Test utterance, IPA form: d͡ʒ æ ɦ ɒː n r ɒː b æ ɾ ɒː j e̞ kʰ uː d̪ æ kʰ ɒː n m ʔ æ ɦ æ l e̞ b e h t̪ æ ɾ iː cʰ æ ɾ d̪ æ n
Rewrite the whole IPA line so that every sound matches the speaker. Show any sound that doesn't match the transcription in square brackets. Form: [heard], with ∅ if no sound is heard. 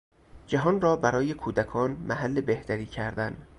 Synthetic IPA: d͡ʒ æ ɦ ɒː n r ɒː b æ ɾ ɒː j e̞ kʰ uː d̪ æ kʰ ɒː n m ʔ æ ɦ æ [lː] e̞ b e h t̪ æ ɾ iː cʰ æ ɾ d̪ æ n